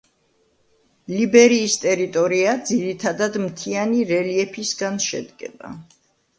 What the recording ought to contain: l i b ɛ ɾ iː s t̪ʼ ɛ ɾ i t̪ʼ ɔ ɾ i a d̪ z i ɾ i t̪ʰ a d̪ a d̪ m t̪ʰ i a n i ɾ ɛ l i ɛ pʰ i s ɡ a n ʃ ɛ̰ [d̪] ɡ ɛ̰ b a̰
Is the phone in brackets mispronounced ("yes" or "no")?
no